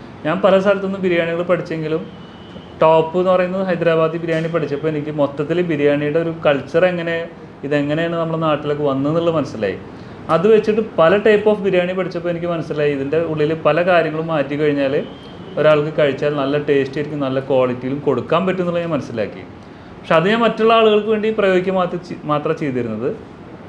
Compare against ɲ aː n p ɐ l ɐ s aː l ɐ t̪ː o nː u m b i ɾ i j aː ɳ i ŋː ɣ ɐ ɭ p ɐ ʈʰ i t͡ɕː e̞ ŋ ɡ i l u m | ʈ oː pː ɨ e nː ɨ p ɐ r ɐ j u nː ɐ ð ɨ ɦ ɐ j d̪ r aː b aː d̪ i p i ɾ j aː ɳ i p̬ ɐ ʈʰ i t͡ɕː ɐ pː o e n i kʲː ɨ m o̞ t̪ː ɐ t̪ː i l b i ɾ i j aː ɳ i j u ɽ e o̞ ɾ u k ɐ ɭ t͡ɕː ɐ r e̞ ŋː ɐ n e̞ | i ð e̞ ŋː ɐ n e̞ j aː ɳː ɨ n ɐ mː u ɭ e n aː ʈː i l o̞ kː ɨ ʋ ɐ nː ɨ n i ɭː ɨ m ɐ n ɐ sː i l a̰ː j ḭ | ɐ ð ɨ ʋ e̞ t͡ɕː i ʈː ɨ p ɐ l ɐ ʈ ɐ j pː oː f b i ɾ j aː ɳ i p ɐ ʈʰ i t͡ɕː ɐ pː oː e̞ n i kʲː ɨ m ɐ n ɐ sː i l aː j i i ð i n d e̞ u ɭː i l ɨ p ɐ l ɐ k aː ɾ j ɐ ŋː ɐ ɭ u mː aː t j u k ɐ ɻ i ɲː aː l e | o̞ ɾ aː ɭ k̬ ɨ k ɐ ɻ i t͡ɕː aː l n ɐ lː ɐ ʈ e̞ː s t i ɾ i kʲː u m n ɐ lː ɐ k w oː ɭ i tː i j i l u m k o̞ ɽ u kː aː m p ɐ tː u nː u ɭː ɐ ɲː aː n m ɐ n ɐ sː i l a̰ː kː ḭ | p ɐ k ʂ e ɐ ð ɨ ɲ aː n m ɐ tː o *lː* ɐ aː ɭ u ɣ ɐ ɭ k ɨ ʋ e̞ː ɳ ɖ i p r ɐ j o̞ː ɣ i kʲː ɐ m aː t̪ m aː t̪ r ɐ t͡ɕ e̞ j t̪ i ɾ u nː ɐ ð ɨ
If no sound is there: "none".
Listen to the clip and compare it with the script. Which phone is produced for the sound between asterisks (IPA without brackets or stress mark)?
ɭː